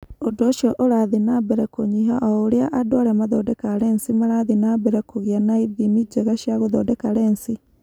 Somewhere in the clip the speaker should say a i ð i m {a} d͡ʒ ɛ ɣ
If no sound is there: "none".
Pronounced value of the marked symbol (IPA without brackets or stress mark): i